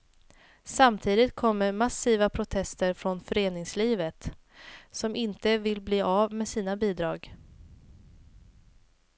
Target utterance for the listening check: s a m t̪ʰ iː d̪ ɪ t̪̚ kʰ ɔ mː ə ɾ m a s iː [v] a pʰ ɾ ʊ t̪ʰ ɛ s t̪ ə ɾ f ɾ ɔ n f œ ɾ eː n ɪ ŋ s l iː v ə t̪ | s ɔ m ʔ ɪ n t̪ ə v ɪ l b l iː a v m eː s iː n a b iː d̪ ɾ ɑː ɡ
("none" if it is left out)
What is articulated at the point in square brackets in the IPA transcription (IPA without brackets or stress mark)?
v